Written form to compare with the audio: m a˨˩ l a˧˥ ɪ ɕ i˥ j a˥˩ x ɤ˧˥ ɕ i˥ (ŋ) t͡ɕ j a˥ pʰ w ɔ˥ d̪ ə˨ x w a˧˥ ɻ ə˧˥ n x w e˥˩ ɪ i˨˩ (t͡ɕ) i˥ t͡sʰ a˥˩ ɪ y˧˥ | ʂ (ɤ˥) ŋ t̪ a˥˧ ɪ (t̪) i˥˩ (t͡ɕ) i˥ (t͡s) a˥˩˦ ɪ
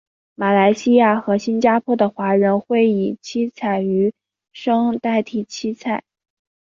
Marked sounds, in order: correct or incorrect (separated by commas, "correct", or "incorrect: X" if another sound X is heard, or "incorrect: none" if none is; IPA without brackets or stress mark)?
incorrect: n, incorrect: t͡ɕʰ, correct, incorrect: t̪ʰ, incorrect: t͡ɕʰ, incorrect: t͡sʰ